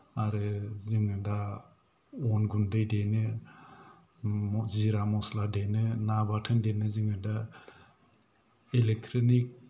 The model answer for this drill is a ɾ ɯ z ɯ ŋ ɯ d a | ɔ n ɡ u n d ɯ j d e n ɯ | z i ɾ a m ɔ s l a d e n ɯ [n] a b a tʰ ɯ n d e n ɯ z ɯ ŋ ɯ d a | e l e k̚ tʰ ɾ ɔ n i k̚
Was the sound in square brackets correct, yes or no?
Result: yes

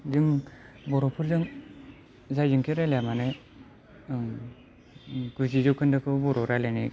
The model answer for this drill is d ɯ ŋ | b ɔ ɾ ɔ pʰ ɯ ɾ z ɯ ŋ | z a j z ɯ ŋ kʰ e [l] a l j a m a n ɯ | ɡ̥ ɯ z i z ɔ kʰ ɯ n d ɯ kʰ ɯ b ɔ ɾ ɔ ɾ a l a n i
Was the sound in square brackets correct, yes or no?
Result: no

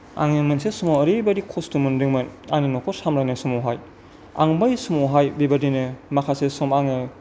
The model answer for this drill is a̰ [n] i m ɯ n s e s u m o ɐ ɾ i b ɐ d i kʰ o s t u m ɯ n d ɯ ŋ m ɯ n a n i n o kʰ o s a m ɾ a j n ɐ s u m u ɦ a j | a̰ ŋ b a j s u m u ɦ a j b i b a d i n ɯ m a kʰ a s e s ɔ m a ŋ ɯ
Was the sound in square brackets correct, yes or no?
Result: no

